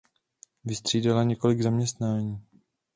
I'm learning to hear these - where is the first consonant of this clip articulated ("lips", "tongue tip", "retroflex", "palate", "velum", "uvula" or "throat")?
lips